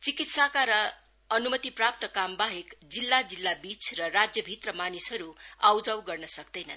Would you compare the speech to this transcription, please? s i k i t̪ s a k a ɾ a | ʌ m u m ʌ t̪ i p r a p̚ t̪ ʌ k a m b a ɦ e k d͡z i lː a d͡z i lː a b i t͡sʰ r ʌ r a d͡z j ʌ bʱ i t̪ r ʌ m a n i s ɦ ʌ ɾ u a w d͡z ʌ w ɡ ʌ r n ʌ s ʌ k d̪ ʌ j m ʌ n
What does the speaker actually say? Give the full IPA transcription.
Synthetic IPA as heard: t͡s i k i t̪ s a k a ɾ ʌ | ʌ n u m ʌ t̪ i p r a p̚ t̪ ʌ k a m b a ɦ e k d͡z i lː a d͡z i lː a b i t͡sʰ r ʌ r a d͡z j ʌ bʱ i t̪ r ʌ m a n i s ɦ ʌ ɾ u a w d͡z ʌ w ɡ ʌ r n ʌ s ʌ k d̪ ʌ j n ʌ n